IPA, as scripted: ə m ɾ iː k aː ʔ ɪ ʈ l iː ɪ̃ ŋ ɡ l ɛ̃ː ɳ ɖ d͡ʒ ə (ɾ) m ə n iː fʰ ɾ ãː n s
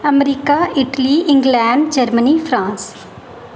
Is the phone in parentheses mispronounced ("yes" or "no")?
no